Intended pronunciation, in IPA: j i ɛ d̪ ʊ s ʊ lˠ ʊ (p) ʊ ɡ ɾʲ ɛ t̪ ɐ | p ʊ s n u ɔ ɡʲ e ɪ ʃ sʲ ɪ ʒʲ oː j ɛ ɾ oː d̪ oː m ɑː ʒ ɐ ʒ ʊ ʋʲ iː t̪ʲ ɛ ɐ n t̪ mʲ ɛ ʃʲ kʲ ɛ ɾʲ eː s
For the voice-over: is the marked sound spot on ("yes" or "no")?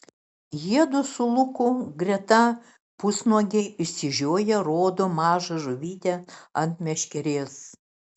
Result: no